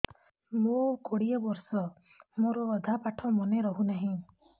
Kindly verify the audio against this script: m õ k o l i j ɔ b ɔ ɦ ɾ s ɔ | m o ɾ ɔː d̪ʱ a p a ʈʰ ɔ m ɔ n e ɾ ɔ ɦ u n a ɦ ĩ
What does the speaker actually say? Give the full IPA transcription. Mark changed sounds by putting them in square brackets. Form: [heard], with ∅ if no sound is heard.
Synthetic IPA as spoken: m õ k o [ɽ] i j ɔ b ɔ [∅] ɾ s ɔ | m o ɾ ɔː d̪ʱ a p a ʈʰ ɔ m ɔ n e ɾ ɔ ɦ u n a ɦ ĩ

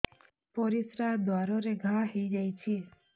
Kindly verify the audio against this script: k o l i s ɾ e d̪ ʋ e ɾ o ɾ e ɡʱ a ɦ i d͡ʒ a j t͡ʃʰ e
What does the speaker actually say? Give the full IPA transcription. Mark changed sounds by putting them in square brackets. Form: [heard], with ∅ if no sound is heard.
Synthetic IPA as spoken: [p] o [ɾ] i s ɾ [a] d̪ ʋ [a] ɾ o ɾ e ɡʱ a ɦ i d͡ʒ a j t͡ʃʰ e

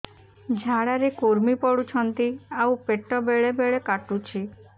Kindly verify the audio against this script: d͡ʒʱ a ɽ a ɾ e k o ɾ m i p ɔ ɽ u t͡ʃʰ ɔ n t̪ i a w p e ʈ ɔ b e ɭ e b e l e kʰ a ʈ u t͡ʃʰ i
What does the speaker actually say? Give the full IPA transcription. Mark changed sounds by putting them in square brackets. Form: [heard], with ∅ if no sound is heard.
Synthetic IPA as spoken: d͡ʒʱ a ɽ a ɾ e k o ɾ m i p ɔ ɽ u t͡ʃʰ ɔ n t̪ i a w p e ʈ ɔ b e ɭ e b e [ɭ] e [k] a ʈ u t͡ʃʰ i

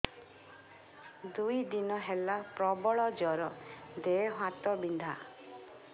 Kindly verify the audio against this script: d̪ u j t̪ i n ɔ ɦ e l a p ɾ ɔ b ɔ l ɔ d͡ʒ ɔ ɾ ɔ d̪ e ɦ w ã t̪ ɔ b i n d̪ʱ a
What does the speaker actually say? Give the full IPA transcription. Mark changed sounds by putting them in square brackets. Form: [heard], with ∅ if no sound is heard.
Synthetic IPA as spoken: d̪ u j [d̪] i n ɔ ɦ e l a p ɾ ɔ b ɔ [ɭ] ɔ d͡ʒ ɔ ɾ ɔ d̪ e ɦ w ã t̪ ɔ b i n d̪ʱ a

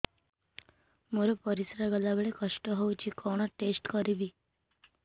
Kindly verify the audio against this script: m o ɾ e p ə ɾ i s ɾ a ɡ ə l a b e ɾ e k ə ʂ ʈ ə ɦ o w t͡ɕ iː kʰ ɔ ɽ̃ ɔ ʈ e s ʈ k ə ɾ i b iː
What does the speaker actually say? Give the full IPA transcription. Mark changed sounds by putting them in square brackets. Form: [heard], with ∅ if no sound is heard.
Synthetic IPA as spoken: m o ɾ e p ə ɾ i s ɾ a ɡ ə l a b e [ɭ] e k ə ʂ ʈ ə ɦ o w t͡ɕ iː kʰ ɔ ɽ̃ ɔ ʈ e s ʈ k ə ɾ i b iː

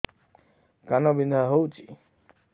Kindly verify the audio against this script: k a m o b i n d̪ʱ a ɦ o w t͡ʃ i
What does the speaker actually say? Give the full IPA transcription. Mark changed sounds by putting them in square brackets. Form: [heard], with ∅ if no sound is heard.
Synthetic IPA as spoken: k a [n] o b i n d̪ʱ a ɦ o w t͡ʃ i

